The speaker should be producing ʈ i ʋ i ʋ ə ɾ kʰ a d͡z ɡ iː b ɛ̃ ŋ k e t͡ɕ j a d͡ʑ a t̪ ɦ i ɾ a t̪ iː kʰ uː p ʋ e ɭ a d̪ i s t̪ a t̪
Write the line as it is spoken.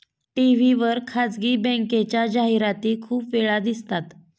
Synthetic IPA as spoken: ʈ i ʋ i ʋ ə ɾ kʰ a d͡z ɡ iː b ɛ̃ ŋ k e t͡ɕ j a d͡ʑ a ɦ i ɾ a t̪ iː kʰ uː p ʋ e ɭ a d̪ i s t̪ a t̪

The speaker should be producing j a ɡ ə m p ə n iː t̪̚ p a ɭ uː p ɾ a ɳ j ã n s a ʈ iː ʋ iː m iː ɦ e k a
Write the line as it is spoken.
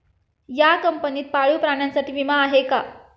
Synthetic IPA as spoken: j a k ə m p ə n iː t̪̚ p a ɭ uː p ɾ a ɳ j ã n s a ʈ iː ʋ i m aː ɦ e k a

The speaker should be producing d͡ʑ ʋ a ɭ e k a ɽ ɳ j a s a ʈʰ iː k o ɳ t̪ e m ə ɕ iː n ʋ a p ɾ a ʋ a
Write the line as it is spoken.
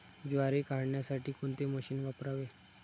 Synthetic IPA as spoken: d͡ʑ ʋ a ɾ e k a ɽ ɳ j a s a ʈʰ iː k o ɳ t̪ e m ə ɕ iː n ʋ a p ɾ a ʋ e

